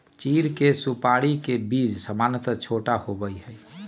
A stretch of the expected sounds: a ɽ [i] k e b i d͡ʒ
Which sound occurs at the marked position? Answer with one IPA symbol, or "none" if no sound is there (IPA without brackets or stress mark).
i